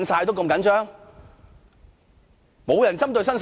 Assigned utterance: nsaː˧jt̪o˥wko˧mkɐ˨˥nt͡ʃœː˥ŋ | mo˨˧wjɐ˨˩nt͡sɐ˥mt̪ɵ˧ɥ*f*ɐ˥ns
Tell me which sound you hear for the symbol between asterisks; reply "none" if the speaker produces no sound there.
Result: s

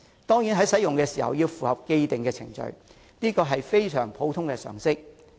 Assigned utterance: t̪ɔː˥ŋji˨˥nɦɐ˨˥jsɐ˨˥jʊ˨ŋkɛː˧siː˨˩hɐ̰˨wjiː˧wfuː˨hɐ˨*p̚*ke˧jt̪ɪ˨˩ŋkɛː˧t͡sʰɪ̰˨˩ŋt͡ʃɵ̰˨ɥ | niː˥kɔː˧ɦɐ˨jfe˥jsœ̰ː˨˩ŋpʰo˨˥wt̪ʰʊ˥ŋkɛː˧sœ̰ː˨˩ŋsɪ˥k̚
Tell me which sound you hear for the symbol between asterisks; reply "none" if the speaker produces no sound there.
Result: p̚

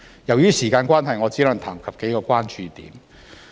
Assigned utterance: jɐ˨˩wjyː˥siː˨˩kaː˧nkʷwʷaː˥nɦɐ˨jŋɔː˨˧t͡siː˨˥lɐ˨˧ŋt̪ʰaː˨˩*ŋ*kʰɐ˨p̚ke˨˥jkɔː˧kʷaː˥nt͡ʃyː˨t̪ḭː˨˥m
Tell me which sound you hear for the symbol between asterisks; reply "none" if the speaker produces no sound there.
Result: ŋ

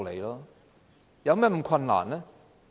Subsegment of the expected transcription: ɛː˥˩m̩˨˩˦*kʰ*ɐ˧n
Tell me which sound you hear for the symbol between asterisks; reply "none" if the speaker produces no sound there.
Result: kʰ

